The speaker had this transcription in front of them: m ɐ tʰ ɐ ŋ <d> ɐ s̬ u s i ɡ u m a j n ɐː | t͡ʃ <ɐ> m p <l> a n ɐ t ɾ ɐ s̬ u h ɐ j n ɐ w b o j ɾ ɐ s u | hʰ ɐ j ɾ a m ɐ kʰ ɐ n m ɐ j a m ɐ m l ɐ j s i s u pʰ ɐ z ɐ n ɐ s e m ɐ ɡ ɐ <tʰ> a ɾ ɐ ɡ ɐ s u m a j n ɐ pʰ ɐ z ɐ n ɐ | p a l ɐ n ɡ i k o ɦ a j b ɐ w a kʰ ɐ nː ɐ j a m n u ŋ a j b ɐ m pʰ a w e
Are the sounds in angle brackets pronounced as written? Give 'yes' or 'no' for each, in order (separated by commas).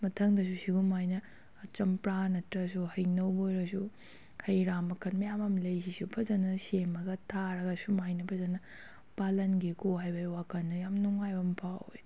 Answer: yes, yes, no, yes